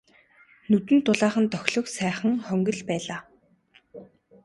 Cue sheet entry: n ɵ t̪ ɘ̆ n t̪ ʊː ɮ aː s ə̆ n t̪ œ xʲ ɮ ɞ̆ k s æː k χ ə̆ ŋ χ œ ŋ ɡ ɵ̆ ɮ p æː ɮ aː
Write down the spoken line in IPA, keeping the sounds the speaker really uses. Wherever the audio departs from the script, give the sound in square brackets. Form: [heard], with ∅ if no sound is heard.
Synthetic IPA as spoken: n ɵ t̪ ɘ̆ n t̪ [ʊ] ɮ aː [χ] ə̆ n t̪ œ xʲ ɮ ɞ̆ k s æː [∅] χ ə̆ ŋ χ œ ŋ ɡ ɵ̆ ɮ p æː ɮ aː